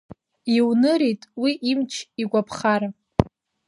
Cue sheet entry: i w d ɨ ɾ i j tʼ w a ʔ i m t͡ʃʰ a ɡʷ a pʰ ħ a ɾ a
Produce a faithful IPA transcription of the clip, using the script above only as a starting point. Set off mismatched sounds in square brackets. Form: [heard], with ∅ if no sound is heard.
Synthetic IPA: i w [n] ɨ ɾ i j tʼ w [i] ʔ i m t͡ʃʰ [i] ɡʷ a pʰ [χ] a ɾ a